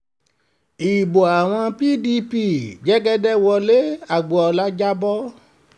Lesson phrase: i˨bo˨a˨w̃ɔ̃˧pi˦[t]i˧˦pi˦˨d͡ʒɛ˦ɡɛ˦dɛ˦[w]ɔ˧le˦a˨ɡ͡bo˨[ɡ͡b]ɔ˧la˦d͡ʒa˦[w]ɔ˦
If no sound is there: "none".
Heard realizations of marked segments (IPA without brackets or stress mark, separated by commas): d, w, none, b